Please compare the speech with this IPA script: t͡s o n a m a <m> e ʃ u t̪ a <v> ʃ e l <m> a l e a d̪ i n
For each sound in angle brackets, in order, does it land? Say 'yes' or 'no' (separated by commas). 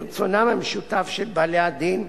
yes, no, no